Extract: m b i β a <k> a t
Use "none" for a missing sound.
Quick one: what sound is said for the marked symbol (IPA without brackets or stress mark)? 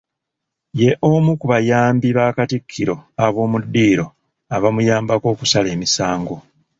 k